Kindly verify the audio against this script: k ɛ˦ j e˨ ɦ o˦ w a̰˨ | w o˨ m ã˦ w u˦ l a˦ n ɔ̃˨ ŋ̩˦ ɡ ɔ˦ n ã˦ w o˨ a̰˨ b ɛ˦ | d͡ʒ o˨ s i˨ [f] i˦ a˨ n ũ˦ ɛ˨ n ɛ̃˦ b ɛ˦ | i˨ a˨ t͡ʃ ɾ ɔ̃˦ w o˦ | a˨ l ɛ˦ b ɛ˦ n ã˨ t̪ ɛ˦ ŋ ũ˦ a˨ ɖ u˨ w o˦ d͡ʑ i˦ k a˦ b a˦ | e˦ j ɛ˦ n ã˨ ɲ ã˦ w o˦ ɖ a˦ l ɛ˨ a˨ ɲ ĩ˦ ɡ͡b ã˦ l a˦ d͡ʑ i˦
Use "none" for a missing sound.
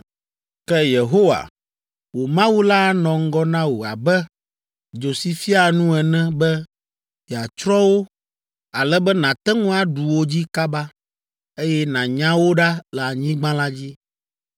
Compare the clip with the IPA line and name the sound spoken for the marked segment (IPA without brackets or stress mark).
f